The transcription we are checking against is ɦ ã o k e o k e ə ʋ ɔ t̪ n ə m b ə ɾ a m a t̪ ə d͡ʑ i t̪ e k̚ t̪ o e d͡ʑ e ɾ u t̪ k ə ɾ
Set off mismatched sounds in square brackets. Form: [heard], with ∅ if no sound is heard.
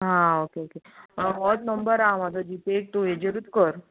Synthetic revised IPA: ɦ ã o k e o k e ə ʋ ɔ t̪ n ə m b ə ɾ a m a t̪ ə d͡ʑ i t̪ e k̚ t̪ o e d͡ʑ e ɾ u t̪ k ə ɾ